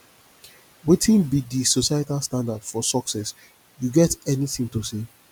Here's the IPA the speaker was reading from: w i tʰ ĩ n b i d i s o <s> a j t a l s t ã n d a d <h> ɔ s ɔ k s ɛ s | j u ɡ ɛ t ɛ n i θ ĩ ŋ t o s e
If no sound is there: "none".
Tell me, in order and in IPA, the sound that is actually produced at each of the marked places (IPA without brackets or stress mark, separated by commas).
s, f